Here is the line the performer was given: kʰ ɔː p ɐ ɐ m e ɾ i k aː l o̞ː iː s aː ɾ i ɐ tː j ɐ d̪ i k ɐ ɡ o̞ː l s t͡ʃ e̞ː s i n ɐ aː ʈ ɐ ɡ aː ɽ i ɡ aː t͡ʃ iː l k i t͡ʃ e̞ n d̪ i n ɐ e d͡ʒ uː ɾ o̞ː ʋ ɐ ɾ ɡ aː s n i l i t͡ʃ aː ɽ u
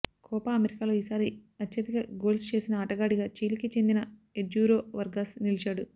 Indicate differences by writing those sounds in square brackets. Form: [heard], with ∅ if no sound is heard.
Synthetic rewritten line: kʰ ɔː p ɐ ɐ m e ɾ i k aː l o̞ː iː s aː ɾ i ɐ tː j ɐ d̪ i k ɐ ɡ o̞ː l s t͡ʃ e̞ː s i n ɐ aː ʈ ɐ ɡ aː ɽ i ɡ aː t͡ʃ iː l k i t͡ʃ e̞ n d̪ i n ɐ e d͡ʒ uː ɾ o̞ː ʋ ɐ ɾ ɡ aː s n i l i t͡ʃ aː ɽ u